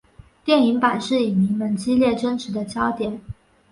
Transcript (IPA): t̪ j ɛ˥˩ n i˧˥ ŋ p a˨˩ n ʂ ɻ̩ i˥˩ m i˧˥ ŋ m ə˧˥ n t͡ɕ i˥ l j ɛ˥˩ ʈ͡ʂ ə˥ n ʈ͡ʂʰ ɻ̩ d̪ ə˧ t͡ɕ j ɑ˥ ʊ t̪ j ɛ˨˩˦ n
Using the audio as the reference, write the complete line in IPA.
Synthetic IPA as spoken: t̪ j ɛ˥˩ n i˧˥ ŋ p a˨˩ n ʂ ɻ̩ i˨˩ m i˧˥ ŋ m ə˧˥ n t͡ɕ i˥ l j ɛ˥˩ ʈ͡ʂ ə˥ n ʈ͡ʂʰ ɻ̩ d̪ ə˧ t͡ɕ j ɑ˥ ʊ t̪ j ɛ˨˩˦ n